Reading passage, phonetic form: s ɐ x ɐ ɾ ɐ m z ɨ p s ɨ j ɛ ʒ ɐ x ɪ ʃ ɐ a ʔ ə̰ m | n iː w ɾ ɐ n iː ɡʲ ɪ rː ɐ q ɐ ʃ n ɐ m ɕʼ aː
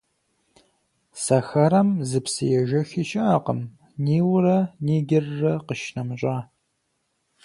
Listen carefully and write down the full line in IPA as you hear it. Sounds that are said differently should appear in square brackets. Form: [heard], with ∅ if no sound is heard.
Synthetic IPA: s ɐ x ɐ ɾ ɐ m z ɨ p s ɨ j ɛ ʒ ɐ x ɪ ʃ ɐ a [q] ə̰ m | n iː w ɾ ɐ n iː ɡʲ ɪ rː ɐ q [ə] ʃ n ɐ m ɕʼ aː